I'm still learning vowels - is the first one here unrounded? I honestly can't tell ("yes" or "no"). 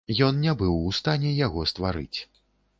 no